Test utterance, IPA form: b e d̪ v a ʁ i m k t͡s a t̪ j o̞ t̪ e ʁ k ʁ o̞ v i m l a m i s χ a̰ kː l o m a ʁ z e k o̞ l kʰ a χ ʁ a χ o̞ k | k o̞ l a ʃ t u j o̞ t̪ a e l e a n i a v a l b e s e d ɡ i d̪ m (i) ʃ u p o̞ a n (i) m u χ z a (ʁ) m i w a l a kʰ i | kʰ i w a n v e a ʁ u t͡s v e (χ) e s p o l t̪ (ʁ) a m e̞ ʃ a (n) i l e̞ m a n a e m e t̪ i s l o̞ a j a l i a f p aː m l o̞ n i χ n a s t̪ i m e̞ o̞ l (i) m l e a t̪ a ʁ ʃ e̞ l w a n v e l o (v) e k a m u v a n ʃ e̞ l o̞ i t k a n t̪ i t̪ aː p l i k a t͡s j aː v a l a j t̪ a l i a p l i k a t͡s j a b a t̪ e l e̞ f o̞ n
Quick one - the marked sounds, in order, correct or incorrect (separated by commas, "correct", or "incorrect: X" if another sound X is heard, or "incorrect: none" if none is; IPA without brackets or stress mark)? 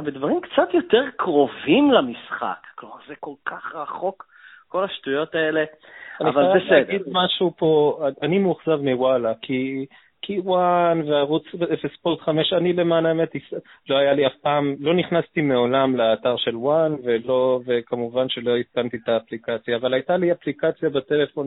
incorrect: a, correct, incorrect: v, incorrect: f, incorrect: χ, correct, incorrect: a, correct